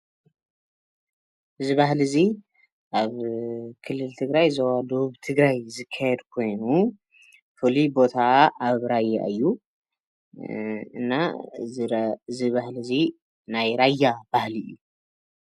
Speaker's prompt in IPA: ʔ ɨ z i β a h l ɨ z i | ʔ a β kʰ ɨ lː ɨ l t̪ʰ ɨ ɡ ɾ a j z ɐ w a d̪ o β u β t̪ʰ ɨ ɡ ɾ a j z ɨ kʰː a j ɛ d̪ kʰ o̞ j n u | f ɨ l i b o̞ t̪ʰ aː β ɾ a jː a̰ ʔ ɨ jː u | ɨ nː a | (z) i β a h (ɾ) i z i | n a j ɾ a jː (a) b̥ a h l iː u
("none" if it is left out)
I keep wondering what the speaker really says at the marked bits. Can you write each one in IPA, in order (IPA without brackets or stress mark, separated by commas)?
z, l, a